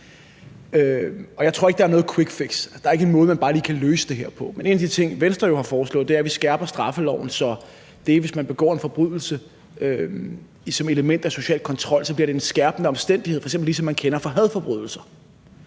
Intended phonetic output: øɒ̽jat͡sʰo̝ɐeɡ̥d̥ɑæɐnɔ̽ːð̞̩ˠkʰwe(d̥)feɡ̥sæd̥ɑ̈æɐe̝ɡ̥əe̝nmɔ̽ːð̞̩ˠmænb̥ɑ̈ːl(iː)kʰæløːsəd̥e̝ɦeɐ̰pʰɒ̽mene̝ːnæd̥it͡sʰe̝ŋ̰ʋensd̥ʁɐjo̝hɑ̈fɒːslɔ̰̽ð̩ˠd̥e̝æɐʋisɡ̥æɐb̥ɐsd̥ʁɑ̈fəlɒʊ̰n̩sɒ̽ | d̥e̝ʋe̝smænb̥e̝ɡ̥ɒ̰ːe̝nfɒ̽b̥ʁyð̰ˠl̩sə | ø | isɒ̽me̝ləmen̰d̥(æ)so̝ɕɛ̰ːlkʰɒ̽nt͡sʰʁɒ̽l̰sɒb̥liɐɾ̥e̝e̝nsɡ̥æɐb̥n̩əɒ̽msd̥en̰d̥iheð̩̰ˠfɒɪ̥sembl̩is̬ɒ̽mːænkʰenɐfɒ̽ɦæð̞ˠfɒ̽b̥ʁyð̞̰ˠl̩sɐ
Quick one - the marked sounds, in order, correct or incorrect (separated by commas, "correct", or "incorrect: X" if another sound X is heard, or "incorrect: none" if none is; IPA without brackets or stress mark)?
incorrect: ɡ̥, correct, correct